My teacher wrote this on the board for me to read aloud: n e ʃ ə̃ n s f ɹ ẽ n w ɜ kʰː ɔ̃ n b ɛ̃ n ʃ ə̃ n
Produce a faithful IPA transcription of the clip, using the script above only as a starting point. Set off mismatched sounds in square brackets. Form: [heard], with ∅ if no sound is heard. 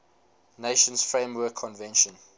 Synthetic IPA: n e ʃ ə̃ n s f ɹ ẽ [m] w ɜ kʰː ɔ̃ n [v] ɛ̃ n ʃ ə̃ n

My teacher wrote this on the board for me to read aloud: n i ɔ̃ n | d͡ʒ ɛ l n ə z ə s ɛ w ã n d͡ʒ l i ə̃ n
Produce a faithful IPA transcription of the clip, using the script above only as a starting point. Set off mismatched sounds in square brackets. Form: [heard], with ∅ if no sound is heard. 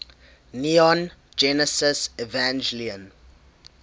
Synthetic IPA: n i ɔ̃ n | d͡ʒ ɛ [∅] n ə [s] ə s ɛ [v] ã n d͡ʒ l i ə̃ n

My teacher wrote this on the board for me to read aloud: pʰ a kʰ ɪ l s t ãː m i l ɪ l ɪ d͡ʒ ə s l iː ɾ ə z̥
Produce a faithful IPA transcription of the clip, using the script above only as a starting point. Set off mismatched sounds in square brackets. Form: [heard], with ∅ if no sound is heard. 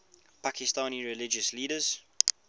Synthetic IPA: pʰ a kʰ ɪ [∅] s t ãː [n] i [ɹ] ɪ l ɪ d͡ʒ ə s l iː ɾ ə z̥

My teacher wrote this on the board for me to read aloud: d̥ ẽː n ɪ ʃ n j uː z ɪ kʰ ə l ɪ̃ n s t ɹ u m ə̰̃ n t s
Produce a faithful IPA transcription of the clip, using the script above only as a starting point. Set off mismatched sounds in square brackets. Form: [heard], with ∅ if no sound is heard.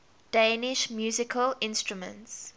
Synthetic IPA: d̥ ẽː n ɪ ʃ [m] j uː z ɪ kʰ ə l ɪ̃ n s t ɹ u m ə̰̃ n t s

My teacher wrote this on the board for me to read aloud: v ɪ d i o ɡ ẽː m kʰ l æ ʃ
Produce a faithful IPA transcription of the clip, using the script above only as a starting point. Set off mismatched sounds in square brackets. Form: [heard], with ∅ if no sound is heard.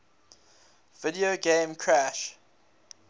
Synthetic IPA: v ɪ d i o ɡ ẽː m kʰ [ɹ] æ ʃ

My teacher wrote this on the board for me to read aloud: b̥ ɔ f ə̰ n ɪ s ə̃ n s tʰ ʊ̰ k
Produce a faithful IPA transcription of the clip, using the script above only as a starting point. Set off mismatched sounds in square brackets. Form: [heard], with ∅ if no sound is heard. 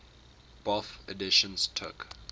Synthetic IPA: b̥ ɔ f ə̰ [d] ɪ [ʃ] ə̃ n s tʰ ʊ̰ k

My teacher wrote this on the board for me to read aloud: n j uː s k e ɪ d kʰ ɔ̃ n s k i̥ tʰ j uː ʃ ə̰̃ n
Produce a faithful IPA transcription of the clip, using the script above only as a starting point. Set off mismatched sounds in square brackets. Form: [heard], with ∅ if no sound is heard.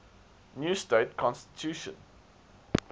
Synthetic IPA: n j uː s [t] e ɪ [t] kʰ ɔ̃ n s [t] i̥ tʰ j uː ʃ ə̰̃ n

